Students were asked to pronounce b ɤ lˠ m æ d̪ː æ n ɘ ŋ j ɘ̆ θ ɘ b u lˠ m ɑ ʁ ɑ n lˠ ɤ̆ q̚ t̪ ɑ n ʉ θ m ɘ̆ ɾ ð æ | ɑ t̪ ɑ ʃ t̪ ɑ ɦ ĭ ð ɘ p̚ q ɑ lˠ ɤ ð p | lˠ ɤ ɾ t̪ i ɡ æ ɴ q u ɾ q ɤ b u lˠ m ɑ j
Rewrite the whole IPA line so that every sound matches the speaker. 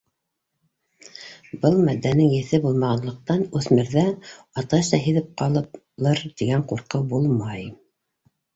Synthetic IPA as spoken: b ɤ lˠ m æ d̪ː æ n ɘ ŋ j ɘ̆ θ ɘ b u lˠ m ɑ ʁ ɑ n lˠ ɤ̆ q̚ t̪ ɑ n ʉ θ m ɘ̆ ɾ ð æ | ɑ t̪ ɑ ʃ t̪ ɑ ɦ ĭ ð ɘ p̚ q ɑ lˠ ɤ p | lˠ ɤ ɾ t̪ i ɡ æ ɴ q u ɾ q ɤ b u lˠ m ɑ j